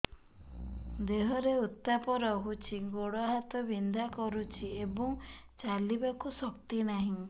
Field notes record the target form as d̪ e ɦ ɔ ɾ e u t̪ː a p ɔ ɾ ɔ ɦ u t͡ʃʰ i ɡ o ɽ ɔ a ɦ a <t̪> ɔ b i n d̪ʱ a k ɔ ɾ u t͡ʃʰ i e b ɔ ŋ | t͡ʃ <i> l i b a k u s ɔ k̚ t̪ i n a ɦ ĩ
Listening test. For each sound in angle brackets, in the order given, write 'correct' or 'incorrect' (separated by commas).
correct, incorrect